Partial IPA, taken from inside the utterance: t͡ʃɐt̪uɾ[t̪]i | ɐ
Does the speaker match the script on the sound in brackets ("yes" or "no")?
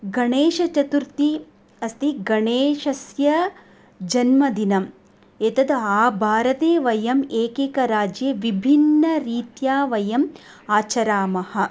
yes